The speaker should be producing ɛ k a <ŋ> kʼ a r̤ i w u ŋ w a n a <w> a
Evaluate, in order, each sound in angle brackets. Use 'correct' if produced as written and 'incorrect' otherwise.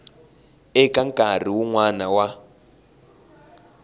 correct, correct

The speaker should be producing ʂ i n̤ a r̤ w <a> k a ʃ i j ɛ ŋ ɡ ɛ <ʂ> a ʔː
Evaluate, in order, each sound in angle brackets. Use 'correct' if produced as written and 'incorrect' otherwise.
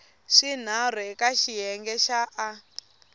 incorrect, incorrect

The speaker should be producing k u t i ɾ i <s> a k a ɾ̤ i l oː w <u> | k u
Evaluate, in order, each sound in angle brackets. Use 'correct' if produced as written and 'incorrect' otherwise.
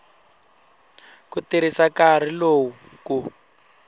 correct, correct

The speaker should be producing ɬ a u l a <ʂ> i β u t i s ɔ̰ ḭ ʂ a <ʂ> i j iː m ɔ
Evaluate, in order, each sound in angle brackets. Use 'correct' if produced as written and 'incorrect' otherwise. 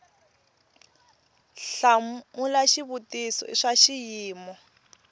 incorrect, incorrect

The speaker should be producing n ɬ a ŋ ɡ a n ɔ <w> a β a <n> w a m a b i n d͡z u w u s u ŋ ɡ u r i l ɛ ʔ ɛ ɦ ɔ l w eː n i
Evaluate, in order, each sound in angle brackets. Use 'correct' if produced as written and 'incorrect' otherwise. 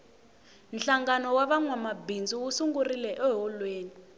correct, incorrect

